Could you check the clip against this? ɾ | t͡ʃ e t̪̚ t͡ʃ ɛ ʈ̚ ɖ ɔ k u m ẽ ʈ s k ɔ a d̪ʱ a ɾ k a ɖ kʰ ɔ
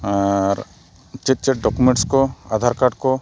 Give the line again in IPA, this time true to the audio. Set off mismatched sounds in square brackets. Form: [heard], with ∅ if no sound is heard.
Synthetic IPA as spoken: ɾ | t͡ʃ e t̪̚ t͡ʃ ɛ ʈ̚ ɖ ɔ k u m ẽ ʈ s k ɔ a d̪ʱ a ɾ k a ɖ [k] ɔ